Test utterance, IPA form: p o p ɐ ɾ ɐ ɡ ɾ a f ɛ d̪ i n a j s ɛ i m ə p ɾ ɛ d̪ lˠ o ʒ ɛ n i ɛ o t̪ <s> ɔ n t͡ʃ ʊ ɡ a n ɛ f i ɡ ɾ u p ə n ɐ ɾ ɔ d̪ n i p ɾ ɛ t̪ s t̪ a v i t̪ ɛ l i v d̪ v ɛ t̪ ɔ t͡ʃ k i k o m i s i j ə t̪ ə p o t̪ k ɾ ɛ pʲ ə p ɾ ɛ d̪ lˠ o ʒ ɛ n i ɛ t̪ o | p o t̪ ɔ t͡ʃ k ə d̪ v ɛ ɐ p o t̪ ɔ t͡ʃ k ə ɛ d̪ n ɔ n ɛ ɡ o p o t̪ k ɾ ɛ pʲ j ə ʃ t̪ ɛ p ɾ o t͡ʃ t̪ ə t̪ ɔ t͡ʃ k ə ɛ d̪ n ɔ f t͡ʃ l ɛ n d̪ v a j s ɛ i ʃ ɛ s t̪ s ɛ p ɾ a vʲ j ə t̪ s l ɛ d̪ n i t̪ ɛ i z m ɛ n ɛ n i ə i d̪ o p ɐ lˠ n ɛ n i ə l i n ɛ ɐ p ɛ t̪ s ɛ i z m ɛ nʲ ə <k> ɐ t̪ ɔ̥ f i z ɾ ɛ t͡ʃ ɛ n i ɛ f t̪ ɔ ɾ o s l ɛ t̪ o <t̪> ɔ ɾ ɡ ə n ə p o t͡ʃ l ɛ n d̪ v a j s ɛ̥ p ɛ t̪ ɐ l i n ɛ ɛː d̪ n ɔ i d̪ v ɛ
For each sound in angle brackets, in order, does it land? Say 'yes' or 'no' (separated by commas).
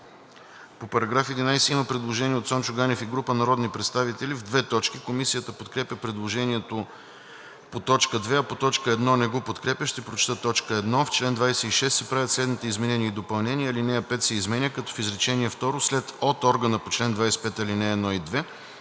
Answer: yes, yes, yes